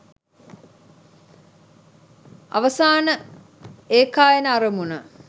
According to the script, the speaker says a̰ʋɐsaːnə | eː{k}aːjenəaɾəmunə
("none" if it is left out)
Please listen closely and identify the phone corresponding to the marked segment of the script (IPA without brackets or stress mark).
k